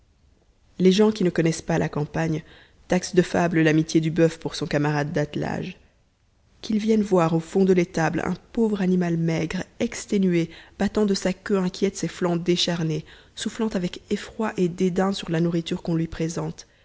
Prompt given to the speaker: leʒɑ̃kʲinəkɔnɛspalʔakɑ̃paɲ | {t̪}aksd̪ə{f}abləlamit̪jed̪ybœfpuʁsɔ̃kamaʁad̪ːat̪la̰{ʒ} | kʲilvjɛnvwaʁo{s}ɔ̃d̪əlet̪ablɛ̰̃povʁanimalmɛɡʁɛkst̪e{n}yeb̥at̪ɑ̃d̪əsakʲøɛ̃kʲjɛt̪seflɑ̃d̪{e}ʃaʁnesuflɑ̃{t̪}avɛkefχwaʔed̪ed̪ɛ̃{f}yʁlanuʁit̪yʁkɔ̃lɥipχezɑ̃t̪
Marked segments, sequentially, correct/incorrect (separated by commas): correct, correct, correct, incorrect, correct, correct, correct, incorrect